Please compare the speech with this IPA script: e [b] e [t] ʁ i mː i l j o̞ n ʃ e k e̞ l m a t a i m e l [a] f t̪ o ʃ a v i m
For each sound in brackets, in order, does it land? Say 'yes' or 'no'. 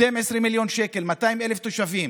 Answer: no, no, no

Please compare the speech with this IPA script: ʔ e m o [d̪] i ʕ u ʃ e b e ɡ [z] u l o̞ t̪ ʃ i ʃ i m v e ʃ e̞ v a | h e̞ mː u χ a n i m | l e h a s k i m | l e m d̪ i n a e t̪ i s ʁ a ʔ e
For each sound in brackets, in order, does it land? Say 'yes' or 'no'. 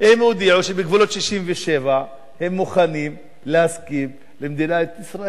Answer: yes, no

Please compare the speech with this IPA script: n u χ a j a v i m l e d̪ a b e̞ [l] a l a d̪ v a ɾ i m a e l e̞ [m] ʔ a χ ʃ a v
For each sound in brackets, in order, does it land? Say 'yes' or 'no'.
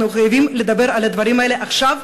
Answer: no, no

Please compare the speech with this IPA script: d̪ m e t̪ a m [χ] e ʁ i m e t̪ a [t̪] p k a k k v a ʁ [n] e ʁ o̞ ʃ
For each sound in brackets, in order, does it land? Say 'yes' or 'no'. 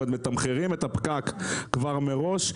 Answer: yes, no, no

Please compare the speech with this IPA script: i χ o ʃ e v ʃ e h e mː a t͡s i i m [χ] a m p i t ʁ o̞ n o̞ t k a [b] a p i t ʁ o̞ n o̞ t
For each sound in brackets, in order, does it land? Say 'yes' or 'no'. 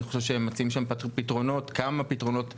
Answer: no, no

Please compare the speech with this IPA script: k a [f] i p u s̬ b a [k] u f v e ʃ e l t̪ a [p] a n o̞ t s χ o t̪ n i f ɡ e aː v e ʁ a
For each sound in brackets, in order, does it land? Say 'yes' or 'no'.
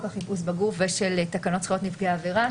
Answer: no, no, no

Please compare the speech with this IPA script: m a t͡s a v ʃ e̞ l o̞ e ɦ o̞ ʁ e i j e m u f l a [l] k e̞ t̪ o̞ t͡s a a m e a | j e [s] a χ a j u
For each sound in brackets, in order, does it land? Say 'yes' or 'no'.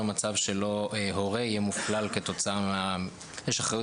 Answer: yes, no

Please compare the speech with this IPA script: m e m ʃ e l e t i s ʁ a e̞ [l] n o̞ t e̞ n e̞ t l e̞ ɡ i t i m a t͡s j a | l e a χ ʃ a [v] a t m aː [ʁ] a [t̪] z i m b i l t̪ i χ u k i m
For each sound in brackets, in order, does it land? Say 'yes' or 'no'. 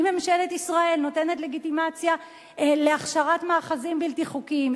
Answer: yes, no, no, no

